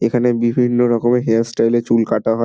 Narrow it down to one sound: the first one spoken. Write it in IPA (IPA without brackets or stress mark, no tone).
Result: e